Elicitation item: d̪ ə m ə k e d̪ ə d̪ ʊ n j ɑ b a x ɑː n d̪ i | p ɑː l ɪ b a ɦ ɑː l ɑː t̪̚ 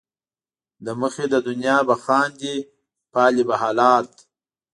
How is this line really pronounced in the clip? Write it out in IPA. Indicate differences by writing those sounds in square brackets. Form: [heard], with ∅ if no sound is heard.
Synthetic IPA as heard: d̪ ə m ə [x] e d̪ ə d̪ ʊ n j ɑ b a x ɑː n d̪ i | p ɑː l [i] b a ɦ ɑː l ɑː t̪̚